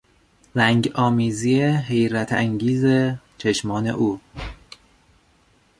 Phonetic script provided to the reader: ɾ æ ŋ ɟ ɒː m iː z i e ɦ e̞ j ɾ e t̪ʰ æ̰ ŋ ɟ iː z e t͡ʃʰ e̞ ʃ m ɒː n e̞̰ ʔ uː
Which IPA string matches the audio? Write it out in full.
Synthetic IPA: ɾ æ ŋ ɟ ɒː m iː z i e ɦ e̞ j ɾ æ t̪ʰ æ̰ ŋ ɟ iː z e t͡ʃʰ e̞ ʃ m ɒː n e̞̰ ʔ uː